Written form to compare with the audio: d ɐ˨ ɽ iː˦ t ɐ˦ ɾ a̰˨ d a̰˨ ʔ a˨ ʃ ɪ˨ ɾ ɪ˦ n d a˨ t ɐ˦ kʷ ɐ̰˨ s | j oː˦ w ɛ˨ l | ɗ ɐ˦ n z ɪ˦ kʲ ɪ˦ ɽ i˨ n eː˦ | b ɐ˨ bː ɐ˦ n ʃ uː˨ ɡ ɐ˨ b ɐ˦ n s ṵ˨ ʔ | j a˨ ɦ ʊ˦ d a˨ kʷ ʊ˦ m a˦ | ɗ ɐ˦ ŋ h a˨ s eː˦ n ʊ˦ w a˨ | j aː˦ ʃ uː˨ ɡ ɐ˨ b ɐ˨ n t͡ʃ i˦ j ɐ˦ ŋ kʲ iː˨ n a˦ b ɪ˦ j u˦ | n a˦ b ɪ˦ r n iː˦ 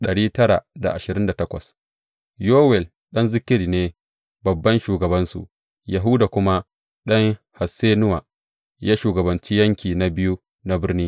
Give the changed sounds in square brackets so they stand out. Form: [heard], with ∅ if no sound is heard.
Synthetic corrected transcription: [ɗ] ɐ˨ ɽ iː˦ t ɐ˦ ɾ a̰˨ d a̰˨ ʔ a˨ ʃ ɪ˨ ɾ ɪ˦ n d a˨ t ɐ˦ kʷ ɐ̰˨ s | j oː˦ w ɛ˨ l | ɗ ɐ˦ n z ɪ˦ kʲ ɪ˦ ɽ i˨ n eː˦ | b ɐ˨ bː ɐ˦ n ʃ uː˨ ɡ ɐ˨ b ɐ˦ n s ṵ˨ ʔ | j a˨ ɦ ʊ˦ d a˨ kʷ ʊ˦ m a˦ | ɗ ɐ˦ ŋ h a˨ s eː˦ n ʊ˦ w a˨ | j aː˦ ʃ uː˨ ɡ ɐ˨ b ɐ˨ n t͡ʃ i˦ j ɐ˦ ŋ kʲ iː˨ n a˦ b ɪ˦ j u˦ | n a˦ b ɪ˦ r n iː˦

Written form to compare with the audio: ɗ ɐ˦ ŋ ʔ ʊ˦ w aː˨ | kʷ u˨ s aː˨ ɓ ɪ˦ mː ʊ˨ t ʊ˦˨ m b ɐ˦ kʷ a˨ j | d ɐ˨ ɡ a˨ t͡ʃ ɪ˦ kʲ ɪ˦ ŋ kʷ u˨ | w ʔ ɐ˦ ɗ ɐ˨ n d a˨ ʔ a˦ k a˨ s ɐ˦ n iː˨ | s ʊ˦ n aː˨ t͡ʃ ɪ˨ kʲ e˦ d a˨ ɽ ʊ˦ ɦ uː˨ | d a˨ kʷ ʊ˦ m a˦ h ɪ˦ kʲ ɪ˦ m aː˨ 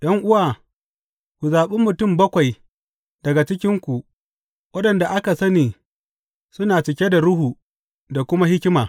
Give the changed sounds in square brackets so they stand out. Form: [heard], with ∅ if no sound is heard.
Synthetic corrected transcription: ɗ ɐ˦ ŋ ʔ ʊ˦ w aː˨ | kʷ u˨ [z] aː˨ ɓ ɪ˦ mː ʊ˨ t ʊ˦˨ m b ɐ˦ kʷ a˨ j | d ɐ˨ ɡ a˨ t͡ʃ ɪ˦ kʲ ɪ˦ ŋ kʷ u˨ | w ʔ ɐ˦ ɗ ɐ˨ n d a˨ ʔ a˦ k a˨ s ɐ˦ n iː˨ | s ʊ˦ n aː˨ t͡ʃ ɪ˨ kʲ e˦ d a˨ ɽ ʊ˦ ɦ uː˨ | d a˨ kʷ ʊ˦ m a˦ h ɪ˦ kʲ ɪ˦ m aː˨

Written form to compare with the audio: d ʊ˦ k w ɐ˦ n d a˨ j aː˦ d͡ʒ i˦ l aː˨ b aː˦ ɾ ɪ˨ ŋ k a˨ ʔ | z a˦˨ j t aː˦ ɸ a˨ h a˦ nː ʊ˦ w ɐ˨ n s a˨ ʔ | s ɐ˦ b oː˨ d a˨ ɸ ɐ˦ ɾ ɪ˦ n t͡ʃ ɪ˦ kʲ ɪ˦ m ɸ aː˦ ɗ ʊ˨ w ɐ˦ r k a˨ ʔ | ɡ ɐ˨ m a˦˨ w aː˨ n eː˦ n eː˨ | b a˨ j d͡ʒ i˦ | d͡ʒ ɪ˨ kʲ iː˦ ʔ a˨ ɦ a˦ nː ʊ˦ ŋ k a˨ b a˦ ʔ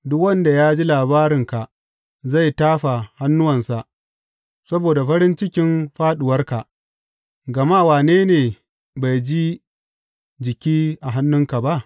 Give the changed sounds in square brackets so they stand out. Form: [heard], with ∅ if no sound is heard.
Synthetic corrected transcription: d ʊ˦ k w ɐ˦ n d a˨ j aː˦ d͡ʒ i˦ l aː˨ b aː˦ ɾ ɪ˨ ŋ k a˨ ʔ | z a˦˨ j t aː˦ ɸ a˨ h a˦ nː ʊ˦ w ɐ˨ n s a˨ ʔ | s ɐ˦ b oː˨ d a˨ ɸ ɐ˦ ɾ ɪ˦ n t͡ʃ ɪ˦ kʲ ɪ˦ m ɸ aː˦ ɗ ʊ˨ w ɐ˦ r k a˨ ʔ | ɡ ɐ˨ m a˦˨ w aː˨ n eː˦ n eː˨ | b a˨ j d͡ʒ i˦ | d͡ʒ ɪ˨ kʲ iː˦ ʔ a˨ ɦ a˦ nː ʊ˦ ŋ k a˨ b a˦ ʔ

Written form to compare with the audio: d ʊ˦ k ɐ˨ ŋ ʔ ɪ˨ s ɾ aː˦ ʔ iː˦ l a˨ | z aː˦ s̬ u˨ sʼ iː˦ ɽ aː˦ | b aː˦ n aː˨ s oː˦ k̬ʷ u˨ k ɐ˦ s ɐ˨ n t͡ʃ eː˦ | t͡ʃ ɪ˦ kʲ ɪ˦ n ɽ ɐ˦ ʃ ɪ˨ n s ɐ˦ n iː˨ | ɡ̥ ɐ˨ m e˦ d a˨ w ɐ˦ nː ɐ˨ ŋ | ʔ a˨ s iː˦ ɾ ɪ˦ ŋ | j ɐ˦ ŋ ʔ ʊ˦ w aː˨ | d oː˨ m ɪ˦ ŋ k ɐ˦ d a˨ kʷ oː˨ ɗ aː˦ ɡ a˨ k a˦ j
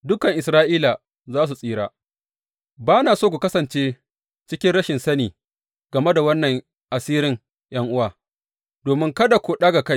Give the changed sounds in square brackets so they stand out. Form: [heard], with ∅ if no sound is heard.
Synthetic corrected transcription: d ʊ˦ k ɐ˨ ŋ ʔ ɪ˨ s ɾ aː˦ ʔ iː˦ l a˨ | z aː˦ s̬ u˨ sʼ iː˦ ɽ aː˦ | b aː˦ n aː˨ s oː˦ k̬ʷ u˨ k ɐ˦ s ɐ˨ n t͡ʃ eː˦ | t͡ʃ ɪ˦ kʲ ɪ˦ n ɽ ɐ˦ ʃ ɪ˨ n s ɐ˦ n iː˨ | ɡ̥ ɐ˨ m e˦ d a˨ w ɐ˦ nː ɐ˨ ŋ | ʔ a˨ s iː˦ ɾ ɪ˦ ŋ | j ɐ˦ ŋ ʔ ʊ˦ w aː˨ | d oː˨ m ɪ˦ ŋ k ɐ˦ d a˨ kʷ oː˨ ɗ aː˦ ɡ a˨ k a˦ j

